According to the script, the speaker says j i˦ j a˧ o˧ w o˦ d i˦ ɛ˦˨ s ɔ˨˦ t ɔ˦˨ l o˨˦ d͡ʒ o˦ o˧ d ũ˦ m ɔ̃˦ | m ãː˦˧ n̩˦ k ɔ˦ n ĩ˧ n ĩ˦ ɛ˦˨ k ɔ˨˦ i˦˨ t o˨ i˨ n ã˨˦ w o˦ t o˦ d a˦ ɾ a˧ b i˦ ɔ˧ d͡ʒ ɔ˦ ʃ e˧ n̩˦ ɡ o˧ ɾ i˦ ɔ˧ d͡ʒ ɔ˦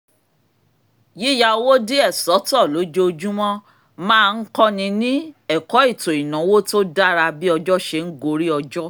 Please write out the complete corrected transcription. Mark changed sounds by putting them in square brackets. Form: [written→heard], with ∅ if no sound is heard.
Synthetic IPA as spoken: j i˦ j a˧ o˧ w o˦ d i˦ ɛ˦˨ s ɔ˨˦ t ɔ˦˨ l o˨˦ d͡ʒ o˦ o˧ [d→d͡ʒ] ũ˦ m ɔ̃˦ | m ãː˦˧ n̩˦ k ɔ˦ n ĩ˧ n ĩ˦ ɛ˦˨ k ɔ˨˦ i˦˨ t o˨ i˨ n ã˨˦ w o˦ t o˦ d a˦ ɾ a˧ b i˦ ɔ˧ d͡ʒ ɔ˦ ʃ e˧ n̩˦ ɡ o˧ ɾ i˦ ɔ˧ d͡ʒ ɔ˦